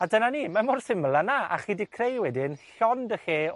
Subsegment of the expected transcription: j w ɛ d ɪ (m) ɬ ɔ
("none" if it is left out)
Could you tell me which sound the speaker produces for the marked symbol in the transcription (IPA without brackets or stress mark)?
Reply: n